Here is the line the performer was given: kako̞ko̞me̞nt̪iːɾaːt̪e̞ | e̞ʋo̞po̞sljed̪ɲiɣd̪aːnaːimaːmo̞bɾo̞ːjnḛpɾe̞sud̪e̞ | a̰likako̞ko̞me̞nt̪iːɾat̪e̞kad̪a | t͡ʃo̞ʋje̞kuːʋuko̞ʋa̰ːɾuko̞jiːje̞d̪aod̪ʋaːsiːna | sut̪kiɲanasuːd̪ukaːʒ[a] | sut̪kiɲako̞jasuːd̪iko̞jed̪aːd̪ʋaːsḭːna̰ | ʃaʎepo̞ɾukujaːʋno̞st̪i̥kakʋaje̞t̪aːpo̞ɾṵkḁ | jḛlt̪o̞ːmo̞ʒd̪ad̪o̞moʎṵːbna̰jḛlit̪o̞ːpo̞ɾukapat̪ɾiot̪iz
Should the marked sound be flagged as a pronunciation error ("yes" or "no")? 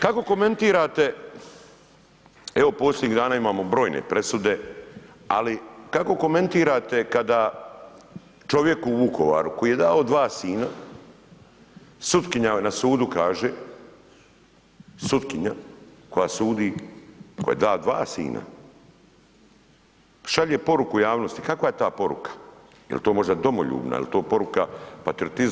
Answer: yes